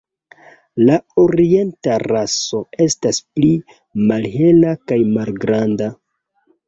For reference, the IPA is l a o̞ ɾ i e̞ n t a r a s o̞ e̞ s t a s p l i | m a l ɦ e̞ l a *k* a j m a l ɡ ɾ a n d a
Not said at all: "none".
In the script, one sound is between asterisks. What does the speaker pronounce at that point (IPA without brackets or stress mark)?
k